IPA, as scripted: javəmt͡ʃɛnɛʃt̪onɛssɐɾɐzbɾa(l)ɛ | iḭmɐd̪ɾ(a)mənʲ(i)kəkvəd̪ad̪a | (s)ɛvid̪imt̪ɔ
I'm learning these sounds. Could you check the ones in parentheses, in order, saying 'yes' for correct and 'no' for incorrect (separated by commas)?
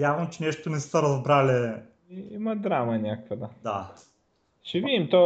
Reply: yes, yes, no, no